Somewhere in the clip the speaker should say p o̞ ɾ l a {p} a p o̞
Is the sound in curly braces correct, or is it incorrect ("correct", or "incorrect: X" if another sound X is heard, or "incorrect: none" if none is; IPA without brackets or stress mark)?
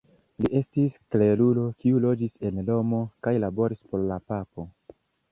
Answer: correct